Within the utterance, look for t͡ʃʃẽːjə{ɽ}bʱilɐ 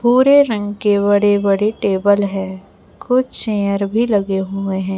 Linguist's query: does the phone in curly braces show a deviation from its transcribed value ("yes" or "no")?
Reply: yes